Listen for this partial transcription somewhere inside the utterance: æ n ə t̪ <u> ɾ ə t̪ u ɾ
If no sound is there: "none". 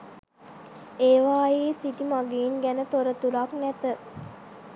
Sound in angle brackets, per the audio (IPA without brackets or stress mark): o